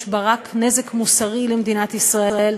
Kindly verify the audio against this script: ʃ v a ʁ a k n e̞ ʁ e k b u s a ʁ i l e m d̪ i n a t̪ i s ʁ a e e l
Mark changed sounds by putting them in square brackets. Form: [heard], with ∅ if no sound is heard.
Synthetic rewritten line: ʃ [b] a ʁ a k n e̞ [z] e k [m] u s a ʁ i l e m d̪ i n a t̪ i s ʁ a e e l